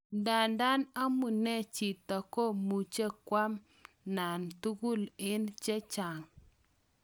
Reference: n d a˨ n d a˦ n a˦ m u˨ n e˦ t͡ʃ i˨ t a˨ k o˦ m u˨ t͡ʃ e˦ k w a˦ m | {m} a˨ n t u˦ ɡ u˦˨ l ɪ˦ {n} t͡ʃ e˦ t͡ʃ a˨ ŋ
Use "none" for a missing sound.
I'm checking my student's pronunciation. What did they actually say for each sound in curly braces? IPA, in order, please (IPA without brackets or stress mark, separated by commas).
n, n